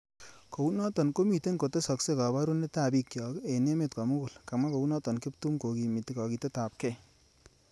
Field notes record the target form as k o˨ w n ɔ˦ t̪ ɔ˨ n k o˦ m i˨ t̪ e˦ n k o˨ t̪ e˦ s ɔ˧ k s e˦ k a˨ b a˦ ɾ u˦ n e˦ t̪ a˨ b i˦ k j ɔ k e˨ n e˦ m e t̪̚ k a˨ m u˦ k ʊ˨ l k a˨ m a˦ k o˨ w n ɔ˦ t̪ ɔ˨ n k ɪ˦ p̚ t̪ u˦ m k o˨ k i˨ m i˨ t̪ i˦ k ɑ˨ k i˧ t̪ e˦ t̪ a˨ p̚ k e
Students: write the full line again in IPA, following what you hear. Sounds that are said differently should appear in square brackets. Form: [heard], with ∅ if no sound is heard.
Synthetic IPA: k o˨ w n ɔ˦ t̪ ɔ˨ n k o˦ m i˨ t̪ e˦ n k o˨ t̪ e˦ s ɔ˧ k s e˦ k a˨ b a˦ ɾ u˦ n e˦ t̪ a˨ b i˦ k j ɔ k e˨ n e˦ m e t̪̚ k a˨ m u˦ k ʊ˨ l k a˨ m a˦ k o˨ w n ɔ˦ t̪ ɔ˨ n k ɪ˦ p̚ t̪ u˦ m k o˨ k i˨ m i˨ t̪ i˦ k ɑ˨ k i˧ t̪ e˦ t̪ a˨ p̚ k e